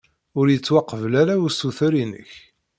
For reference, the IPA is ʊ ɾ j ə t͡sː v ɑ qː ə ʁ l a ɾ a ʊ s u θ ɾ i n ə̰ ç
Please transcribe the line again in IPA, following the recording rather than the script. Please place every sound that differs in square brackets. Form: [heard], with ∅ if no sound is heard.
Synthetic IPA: ʊ ɾ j ə t͡sː [w] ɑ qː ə [v] l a ɾ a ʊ s u θ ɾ i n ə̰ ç